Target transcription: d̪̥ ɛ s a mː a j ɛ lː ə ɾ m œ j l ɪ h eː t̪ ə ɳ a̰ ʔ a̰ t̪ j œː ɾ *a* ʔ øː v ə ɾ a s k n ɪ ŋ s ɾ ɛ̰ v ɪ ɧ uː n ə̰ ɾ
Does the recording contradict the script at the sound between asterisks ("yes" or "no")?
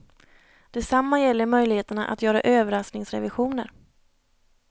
no